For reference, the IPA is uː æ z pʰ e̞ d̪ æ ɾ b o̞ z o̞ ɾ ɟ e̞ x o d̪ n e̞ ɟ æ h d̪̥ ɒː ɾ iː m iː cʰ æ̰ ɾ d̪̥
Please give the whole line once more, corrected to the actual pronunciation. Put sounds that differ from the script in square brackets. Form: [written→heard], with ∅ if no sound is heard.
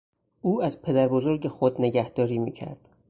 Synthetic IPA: uː æ z pʰ e̞ d̪ æ ɾ b o̞ z o̞ ɾ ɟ e̞ x o d̪ n e̞ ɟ æ h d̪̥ ɒː ɾ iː m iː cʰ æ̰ ɾ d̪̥